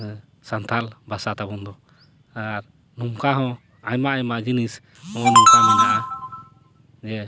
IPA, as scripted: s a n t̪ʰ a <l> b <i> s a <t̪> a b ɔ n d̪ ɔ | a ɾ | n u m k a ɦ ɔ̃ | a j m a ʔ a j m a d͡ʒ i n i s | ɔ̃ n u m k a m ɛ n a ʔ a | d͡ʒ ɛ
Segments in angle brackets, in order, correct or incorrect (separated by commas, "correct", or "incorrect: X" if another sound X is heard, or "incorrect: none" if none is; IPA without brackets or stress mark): correct, incorrect: a, correct